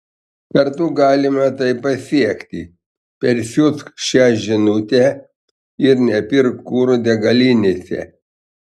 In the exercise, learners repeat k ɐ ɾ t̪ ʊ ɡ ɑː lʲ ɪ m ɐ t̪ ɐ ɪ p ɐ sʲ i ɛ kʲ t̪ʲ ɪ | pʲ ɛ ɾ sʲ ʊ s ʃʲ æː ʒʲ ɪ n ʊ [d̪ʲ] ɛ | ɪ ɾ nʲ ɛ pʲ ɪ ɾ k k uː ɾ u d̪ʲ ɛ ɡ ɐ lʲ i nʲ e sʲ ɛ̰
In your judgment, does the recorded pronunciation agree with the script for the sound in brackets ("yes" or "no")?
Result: no